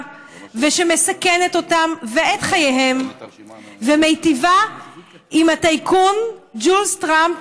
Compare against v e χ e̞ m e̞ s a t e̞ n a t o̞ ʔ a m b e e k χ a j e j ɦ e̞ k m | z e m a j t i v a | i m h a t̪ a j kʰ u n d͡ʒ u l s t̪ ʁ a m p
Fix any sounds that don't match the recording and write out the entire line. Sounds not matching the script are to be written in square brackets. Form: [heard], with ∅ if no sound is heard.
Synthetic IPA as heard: v e [ʃ] e̞ m e̞ s a [k] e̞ n [e] t o̞ [t] a m [v] e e [t] χ a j e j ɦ e̞ [∅] m | [v] e m [e] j t i v a | i m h a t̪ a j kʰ u n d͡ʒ u l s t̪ ʁ a m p